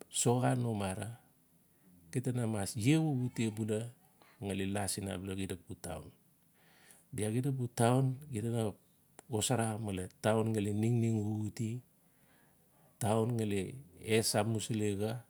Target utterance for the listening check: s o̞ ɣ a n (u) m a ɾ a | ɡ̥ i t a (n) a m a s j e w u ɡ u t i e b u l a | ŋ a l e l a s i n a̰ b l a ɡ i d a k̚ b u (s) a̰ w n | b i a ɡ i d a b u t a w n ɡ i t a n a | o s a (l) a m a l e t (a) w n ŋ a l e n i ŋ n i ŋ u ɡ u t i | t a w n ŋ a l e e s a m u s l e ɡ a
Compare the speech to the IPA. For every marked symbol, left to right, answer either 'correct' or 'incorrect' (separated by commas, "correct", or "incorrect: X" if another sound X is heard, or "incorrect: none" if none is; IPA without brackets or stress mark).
incorrect: o, correct, incorrect: t, incorrect: ɾ, correct